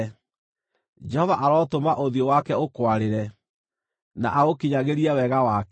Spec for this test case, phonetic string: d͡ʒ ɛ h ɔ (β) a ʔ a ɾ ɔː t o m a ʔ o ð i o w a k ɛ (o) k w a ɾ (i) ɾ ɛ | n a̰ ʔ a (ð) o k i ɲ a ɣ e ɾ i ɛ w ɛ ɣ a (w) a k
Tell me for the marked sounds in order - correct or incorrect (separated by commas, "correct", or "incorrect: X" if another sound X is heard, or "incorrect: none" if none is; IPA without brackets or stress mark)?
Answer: incorrect: v, correct, incorrect: e, incorrect: ɣ, correct